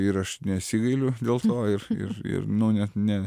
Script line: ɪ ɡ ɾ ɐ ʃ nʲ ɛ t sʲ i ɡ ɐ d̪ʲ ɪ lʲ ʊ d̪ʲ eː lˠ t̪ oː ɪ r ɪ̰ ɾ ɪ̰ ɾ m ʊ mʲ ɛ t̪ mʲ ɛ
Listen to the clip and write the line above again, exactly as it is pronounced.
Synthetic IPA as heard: ɪ ɾ ɐ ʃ nʲ ɛ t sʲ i ɡ ɐ ɪ lʲ ʊ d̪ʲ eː lˠ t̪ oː ɪ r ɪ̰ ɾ ɪ̰ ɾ n ʊ nʲ ɛ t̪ nʲ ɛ